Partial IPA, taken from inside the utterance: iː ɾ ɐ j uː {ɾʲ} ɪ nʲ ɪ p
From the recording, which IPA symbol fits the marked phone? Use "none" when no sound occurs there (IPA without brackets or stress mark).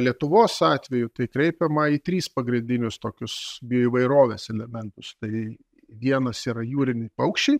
ɾʲ